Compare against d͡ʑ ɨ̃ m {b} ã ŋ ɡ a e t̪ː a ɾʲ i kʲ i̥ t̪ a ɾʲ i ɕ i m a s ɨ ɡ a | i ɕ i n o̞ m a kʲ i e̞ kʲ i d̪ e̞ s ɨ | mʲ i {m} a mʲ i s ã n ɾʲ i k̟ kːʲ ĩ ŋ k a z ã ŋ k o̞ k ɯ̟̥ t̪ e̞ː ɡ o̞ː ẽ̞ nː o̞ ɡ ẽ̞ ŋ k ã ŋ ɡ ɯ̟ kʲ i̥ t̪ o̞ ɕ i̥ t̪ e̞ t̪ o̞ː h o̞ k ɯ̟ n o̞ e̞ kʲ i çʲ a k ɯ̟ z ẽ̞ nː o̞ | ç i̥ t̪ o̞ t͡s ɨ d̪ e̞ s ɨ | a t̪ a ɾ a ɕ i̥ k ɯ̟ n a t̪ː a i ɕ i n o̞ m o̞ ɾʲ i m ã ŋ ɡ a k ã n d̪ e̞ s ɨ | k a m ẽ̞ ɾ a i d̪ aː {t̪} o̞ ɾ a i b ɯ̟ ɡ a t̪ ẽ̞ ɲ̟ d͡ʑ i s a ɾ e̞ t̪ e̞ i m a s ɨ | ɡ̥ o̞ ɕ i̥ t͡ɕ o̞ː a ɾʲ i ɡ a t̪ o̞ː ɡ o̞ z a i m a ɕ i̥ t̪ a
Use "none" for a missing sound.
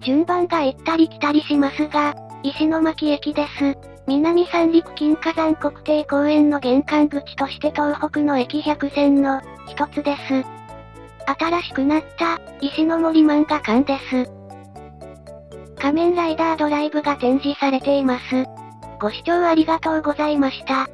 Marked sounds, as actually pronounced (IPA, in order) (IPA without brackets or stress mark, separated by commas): b, n, d̪